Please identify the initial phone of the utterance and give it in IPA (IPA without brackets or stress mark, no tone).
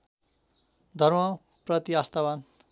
d̪ʱ